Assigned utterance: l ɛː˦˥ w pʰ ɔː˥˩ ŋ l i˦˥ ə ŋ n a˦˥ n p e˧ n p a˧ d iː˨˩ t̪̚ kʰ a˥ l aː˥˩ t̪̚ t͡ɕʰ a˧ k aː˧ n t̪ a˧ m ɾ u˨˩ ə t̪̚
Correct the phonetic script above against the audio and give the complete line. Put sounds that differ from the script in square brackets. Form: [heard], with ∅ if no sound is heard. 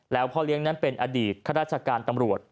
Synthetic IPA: l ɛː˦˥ w pʰ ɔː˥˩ [∅] l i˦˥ ə ŋ n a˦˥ n p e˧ n [ʔ] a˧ d iː˨˩ t̪̚ kʰ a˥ [ɾ] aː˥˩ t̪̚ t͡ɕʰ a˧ k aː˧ n t̪ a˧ m ɾ u˨˩ ə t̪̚